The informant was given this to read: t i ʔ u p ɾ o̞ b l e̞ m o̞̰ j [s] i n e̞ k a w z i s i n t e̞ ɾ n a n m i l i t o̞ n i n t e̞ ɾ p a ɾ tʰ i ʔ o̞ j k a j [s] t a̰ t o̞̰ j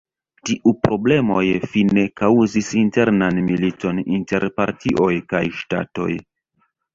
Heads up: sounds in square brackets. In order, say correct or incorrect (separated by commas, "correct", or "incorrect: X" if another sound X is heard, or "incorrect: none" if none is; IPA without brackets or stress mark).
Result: incorrect: f, incorrect: ʃ